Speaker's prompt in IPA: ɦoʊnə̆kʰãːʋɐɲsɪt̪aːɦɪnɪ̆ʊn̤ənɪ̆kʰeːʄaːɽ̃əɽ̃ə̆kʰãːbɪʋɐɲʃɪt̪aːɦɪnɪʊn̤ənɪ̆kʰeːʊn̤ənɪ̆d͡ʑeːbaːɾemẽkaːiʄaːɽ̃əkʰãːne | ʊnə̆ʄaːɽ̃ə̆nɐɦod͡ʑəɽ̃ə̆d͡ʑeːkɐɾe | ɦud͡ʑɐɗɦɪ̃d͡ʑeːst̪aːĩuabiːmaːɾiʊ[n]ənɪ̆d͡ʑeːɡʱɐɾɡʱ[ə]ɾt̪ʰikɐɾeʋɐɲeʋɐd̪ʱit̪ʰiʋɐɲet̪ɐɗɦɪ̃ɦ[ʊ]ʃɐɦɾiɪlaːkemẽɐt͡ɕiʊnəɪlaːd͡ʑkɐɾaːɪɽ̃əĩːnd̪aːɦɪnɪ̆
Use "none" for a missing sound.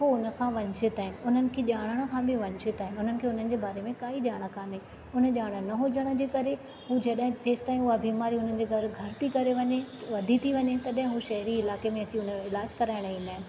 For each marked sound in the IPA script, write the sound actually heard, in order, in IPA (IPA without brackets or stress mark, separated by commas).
n, ɐ, u